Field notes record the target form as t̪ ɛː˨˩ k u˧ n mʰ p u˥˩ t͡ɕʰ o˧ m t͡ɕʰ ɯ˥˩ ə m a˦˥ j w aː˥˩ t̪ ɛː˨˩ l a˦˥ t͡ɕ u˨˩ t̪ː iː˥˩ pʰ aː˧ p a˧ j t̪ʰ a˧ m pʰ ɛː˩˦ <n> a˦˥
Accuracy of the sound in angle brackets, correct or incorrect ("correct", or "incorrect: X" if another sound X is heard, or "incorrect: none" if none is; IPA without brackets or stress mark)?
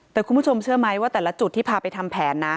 incorrect: nː